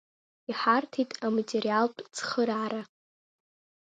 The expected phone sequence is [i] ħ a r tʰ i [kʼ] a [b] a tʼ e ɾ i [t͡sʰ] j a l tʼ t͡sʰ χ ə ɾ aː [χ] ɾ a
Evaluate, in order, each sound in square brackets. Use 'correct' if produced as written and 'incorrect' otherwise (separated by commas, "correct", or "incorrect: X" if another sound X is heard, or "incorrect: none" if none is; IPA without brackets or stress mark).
correct, incorrect: tʼ, incorrect: m, incorrect: none, incorrect: none